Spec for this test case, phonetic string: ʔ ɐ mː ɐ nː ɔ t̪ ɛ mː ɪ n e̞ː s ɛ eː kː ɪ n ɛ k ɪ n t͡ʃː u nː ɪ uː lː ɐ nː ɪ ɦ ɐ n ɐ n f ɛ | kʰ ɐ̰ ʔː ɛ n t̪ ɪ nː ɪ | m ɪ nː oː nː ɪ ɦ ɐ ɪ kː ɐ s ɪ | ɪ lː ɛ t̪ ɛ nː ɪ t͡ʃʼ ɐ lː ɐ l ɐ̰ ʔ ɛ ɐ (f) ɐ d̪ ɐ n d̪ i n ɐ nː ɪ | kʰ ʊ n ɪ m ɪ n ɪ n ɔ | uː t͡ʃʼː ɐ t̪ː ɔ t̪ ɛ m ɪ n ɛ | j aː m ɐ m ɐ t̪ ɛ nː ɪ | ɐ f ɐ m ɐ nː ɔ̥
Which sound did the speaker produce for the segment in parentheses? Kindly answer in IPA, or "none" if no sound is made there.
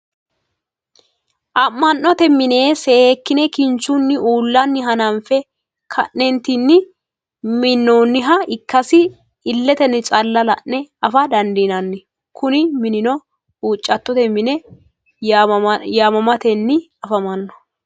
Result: f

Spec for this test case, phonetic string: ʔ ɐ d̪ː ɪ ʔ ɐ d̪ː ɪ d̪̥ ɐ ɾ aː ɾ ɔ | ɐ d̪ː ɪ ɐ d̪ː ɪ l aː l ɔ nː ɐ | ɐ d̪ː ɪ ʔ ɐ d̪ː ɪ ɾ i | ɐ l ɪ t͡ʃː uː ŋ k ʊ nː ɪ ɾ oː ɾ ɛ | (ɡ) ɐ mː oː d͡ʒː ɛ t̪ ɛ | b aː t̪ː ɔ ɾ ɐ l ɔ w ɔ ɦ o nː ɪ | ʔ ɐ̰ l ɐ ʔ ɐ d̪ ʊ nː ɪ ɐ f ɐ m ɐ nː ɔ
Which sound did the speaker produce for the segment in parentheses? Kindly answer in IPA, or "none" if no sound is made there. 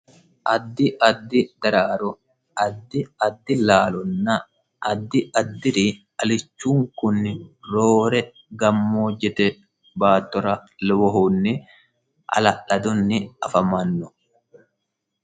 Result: ɡ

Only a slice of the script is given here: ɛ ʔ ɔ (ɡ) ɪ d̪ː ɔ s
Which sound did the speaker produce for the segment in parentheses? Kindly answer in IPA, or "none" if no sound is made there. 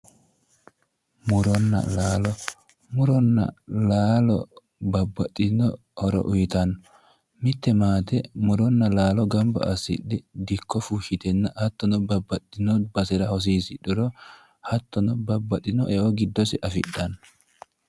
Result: ɡ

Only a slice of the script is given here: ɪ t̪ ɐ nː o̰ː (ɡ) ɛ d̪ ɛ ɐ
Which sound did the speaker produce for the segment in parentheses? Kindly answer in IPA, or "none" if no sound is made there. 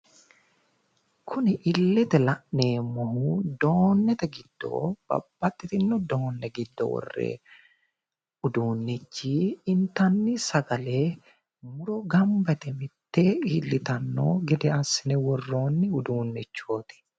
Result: ɡ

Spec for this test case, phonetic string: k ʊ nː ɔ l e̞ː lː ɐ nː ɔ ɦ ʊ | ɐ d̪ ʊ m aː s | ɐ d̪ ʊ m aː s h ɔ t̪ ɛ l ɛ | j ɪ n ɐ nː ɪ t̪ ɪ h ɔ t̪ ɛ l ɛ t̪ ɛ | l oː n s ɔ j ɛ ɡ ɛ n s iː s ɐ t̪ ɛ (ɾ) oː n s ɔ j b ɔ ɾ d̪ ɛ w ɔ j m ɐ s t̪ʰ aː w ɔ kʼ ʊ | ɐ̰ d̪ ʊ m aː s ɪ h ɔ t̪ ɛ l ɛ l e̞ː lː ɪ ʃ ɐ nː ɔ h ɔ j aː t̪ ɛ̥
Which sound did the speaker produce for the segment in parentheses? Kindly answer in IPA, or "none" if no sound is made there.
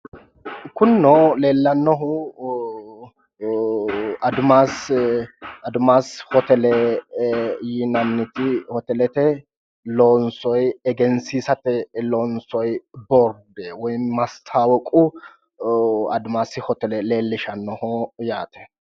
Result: l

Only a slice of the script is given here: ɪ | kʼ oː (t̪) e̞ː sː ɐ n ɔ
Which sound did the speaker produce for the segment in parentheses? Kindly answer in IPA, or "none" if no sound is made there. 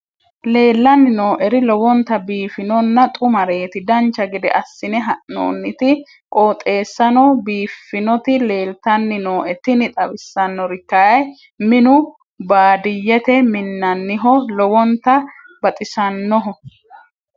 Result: t̪ʼ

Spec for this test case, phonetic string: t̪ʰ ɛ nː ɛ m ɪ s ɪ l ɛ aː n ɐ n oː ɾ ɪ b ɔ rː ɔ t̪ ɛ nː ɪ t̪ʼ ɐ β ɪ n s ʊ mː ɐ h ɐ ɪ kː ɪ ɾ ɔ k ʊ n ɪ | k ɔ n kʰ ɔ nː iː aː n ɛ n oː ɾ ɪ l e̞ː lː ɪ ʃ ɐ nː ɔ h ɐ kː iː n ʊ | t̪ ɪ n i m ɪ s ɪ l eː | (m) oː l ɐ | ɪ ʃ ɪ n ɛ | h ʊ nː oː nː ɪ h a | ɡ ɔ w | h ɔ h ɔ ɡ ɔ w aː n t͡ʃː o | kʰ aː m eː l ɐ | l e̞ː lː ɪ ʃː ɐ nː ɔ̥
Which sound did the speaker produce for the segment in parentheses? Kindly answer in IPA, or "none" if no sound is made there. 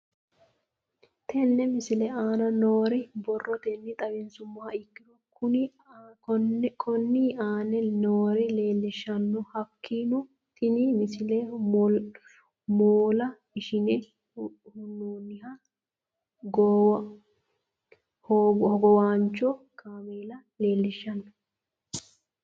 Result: m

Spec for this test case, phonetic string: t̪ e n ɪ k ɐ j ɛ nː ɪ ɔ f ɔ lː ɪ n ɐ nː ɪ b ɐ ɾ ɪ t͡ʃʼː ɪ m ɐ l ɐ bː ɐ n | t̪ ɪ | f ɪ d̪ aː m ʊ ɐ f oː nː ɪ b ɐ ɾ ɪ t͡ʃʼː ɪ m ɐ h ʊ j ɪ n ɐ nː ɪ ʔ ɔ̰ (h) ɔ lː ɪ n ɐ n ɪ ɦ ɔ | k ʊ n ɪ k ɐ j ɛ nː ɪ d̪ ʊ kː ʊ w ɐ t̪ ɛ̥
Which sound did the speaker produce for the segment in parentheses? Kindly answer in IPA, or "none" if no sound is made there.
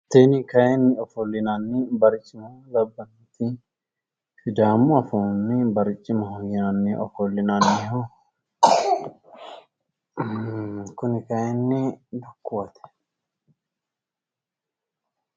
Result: f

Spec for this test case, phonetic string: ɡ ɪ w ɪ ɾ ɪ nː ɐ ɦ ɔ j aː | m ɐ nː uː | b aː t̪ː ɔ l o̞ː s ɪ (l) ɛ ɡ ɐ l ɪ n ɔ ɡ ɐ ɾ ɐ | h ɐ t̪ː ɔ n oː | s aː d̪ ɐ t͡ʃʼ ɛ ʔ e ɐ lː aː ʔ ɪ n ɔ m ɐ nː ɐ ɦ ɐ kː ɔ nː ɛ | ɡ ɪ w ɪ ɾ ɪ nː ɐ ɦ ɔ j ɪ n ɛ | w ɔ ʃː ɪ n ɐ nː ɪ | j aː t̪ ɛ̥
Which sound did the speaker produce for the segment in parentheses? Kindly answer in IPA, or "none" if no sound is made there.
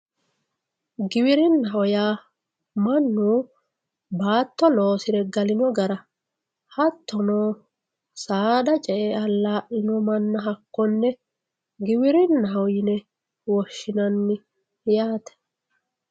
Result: ɾ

